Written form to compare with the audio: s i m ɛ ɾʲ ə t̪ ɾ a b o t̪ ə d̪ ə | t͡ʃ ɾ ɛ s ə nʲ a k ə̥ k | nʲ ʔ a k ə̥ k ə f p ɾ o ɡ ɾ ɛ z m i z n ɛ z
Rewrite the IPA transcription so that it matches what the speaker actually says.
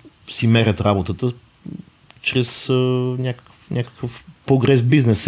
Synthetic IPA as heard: s i m ɛ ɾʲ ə t̪ ɾ a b o t̪ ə t̪ ə | t͡ʃ ɾ ɛ s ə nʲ a k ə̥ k | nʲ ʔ a k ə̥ k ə f p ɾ o ɡ ɾ ɛ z b i z n ɛ s